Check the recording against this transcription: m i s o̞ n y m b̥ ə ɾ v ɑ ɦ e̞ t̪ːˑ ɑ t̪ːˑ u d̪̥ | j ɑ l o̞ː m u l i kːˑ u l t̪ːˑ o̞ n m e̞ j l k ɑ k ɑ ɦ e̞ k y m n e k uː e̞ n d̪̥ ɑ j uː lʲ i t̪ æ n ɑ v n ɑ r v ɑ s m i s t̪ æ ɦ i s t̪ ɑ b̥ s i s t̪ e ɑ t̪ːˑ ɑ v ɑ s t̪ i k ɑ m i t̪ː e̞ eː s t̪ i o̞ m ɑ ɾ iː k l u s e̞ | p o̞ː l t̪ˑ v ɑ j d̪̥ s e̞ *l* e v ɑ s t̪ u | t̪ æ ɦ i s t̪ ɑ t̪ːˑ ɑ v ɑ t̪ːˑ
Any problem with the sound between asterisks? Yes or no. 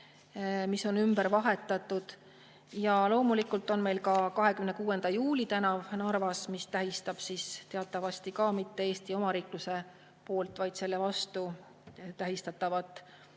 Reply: yes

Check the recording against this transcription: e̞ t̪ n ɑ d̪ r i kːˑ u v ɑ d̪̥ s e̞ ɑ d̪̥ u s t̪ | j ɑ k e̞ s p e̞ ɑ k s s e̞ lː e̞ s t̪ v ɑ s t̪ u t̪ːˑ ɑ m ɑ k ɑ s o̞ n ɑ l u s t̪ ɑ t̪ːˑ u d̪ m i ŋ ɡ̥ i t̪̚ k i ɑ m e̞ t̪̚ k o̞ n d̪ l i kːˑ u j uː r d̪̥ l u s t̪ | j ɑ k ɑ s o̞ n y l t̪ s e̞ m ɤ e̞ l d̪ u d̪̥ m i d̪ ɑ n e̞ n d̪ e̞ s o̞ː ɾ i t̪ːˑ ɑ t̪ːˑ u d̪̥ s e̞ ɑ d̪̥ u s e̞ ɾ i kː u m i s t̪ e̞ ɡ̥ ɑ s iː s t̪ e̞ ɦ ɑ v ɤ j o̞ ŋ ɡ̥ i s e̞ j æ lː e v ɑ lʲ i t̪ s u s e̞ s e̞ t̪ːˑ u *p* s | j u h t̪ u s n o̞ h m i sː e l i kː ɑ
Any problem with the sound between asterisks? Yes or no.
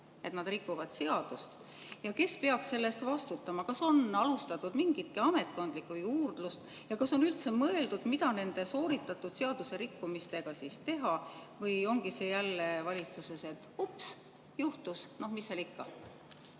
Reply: no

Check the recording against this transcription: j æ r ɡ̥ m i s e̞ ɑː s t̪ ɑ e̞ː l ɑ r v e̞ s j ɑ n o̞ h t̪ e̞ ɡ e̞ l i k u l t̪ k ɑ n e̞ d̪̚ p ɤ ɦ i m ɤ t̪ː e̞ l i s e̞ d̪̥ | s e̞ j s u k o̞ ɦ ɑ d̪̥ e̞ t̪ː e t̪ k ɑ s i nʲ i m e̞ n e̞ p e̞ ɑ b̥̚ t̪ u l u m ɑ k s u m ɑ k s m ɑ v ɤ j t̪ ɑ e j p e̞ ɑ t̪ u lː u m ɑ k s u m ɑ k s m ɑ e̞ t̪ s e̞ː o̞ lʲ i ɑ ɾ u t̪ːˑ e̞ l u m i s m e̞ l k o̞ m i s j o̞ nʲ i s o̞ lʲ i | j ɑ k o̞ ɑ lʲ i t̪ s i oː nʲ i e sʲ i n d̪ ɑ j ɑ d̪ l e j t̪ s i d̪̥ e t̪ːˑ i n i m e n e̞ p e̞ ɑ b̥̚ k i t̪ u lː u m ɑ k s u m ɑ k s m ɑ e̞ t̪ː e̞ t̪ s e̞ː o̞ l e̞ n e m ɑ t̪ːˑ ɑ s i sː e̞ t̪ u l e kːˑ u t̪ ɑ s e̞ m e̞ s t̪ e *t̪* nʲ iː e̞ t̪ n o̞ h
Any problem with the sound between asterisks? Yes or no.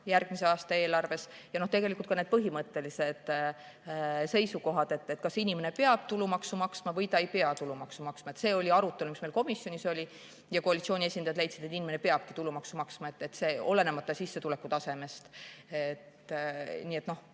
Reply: no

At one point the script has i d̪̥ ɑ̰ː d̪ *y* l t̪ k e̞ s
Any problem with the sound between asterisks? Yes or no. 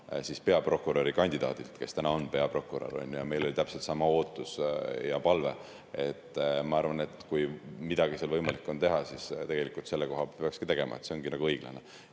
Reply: yes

